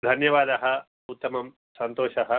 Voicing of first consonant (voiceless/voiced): voiced